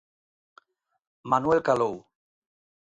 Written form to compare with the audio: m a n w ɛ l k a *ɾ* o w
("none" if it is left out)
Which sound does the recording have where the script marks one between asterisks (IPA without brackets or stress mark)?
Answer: l